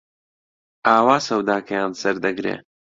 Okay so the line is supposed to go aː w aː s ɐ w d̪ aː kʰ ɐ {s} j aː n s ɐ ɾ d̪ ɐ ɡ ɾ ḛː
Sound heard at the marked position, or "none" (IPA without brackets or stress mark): none